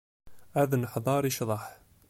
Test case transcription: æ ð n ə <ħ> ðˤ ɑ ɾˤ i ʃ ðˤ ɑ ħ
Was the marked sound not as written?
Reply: no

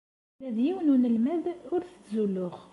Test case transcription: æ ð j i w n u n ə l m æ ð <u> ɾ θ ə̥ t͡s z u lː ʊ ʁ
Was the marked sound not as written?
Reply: yes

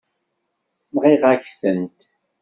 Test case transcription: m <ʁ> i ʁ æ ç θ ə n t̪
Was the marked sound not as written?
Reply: no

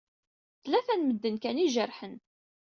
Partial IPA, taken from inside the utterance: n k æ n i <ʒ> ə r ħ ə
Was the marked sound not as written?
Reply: no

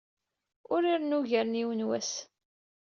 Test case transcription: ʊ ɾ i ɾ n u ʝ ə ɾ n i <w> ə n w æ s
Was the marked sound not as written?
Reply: no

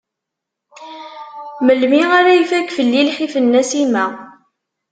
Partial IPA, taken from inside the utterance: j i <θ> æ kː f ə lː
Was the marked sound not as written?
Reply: yes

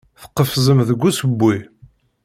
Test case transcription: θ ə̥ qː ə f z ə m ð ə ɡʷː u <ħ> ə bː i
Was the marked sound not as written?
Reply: yes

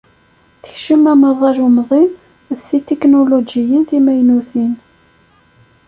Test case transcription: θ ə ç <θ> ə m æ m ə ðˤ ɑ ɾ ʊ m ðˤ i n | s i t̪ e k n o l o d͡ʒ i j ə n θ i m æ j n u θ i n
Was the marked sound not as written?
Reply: yes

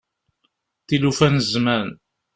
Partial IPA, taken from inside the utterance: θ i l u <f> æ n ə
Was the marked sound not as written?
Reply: no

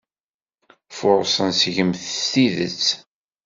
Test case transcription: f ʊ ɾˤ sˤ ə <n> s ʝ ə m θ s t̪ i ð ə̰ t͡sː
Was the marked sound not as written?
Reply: no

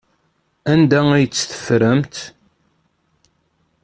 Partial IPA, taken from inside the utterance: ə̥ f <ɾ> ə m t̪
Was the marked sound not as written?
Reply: no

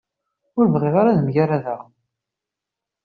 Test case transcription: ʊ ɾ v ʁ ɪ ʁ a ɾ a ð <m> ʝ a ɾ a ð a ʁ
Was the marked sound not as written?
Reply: no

